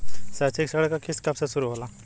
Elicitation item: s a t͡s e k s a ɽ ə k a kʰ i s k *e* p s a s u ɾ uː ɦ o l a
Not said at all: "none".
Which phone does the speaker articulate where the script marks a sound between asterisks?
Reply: a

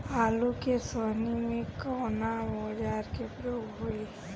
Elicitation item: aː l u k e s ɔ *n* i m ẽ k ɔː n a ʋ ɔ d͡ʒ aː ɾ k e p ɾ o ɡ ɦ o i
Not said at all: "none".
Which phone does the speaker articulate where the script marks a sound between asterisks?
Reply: n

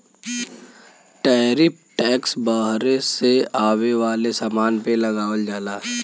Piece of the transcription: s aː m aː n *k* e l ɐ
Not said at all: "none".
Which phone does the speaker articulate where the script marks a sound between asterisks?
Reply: p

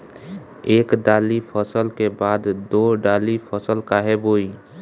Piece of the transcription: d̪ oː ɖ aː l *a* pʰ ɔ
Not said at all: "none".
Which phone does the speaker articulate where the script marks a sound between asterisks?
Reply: i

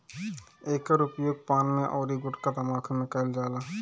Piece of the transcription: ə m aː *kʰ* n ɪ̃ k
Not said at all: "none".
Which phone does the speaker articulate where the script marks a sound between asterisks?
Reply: kʰ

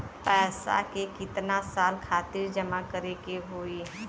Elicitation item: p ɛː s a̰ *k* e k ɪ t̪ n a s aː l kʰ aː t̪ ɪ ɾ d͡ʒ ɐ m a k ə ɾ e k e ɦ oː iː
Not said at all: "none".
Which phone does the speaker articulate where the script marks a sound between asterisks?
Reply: k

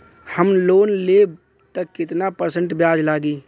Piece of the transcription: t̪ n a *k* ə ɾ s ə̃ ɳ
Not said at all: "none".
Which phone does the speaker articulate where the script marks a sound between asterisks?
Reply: p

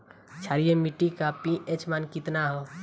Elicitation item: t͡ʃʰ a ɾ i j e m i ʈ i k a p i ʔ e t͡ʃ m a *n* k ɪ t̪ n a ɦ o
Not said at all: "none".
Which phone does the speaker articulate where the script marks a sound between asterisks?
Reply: n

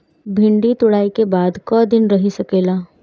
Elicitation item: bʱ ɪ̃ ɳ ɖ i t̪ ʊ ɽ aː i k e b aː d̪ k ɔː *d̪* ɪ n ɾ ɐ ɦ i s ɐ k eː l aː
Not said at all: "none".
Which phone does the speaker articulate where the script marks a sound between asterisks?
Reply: d̪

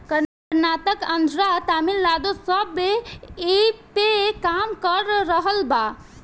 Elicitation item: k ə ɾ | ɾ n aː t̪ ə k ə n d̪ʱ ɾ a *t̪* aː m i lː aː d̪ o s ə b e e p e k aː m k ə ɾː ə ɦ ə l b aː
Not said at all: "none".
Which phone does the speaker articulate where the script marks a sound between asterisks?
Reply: t̪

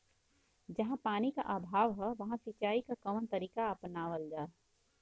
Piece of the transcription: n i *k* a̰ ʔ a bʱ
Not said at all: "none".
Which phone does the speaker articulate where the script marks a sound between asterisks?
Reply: k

